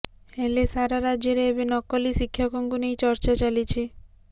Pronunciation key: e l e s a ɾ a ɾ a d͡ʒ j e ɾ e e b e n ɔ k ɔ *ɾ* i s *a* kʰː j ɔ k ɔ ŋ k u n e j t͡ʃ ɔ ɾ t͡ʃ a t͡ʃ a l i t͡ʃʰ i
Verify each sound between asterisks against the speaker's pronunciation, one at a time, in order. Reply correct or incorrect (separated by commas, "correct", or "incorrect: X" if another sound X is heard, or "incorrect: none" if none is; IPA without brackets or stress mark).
incorrect: l, incorrect: i